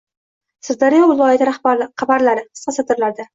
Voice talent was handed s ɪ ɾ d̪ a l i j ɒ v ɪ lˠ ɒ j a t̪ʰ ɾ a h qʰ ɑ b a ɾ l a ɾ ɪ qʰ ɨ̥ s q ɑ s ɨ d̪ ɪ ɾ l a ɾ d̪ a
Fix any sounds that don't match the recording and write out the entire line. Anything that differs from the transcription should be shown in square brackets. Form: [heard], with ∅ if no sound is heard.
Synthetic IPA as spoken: s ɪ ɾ d̪ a [ɾ] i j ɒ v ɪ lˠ ɒ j a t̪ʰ ɾ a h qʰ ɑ b a ɾ l a ɾ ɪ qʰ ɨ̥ s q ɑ s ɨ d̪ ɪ ɾ l a ɾ d̪ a